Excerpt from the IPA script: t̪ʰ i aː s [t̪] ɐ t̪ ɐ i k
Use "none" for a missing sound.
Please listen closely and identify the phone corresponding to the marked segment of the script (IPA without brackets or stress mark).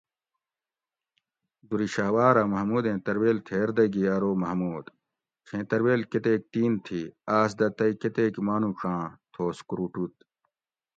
d̪